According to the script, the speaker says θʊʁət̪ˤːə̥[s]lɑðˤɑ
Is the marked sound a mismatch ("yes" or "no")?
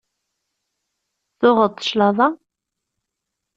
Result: yes